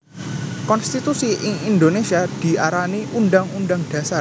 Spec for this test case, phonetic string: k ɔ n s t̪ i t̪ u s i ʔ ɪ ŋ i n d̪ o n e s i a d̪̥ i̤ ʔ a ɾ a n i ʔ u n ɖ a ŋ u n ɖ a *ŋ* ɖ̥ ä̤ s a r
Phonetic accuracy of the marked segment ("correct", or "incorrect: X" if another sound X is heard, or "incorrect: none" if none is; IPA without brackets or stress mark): correct